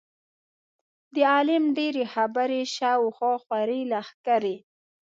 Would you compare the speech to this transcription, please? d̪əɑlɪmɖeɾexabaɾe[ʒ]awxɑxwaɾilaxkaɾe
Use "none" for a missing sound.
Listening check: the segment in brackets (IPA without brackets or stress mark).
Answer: ʃ